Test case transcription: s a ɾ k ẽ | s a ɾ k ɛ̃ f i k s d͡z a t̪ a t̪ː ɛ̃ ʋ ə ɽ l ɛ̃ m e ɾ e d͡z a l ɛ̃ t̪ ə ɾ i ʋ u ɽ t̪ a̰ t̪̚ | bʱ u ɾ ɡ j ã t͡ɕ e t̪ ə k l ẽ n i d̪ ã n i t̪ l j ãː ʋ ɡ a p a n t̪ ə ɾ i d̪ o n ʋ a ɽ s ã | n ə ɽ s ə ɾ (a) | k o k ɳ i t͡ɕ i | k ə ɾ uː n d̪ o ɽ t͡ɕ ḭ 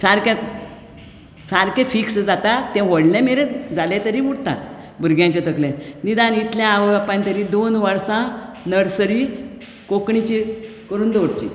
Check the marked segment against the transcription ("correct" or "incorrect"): incorrect